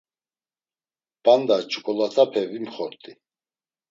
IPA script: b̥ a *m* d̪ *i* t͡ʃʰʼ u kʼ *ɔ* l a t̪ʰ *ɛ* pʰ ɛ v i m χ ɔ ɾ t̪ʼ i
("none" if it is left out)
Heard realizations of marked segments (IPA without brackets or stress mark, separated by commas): n, a, ɔ, a